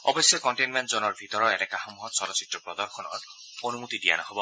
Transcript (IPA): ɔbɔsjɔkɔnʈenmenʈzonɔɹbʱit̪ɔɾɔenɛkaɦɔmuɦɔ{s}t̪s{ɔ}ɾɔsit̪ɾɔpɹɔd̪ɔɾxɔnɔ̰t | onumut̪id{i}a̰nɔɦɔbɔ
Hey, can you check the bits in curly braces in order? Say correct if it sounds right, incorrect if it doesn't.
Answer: incorrect: none, correct, correct

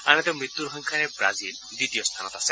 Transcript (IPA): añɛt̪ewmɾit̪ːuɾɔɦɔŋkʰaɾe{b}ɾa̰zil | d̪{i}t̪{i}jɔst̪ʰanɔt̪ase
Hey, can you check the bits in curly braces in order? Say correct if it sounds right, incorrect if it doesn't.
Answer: correct, correct, correct

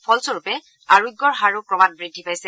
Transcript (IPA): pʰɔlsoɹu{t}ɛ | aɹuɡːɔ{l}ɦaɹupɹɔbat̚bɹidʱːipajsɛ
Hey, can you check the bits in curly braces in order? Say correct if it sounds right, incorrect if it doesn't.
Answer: incorrect: p, incorrect: ɹ

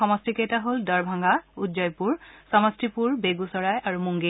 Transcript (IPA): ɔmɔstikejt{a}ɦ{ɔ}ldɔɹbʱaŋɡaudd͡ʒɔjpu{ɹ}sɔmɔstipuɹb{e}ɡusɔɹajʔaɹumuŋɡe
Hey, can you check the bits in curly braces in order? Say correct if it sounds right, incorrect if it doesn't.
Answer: correct, incorrect: o, correct, correct

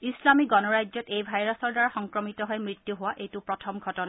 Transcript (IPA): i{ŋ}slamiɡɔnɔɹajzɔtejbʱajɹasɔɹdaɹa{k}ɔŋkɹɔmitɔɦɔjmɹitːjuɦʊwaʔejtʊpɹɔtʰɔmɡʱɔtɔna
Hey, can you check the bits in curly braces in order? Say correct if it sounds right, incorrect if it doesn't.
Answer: incorrect: none, incorrect: x

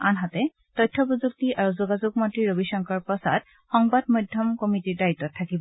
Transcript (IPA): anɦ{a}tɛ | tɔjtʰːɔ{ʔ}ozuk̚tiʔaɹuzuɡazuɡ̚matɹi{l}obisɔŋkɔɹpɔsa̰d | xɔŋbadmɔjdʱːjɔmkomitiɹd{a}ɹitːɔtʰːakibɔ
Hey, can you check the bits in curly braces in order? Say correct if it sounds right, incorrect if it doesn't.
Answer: correct, incorrect: p, incorrect: ɹ, correct

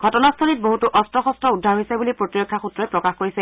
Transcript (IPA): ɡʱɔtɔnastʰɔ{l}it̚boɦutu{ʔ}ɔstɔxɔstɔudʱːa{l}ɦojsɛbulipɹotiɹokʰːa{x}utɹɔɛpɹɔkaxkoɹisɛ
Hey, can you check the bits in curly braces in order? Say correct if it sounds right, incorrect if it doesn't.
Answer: correct, correct, incorrect: ɹ, correct

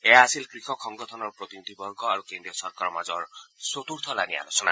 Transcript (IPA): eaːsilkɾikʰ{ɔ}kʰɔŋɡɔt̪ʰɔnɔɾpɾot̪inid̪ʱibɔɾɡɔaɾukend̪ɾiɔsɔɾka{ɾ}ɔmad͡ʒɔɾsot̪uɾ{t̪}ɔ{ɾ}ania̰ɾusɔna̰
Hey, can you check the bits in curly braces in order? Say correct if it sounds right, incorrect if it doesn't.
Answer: correct, correct, incorrect: t̪ʰ, incorrect: l

